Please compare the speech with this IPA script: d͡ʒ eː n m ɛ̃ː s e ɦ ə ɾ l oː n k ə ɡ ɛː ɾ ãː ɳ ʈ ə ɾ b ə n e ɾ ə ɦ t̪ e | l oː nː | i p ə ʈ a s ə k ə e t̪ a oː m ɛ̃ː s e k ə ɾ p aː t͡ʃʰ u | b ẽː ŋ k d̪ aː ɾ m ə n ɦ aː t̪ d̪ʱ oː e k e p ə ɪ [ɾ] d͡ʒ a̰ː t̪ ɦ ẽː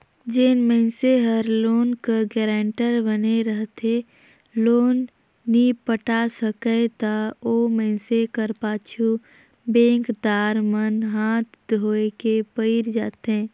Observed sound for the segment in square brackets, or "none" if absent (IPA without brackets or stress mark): ɾ